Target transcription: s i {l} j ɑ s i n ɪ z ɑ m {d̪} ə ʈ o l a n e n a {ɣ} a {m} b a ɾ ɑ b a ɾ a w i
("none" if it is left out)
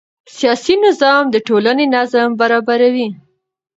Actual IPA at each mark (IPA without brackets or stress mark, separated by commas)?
none, d̪, z, m